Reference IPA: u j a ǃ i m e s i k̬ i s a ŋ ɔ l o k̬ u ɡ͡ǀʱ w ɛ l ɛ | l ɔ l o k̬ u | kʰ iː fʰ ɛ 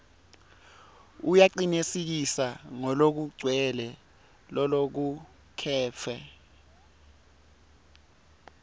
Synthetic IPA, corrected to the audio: u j a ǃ i n e s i k̬ i s a ŋ ɔ l o k̬ u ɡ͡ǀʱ w ɛ l ɛ | l ɔ l o k̬ u | kʰ ɛː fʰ ɛ